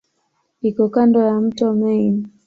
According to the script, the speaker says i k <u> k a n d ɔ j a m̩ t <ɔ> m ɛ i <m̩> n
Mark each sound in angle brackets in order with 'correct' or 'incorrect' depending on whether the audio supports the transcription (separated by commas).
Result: incorrect, correct, incorrect